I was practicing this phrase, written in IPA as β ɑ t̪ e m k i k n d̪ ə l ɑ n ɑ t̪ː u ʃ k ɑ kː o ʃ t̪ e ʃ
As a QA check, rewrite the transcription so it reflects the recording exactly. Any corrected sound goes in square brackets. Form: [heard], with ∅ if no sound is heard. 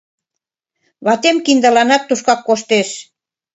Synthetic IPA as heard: β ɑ t̪ e m k i [∅] n d̪ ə l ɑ n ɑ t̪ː u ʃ k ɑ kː o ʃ t̪ e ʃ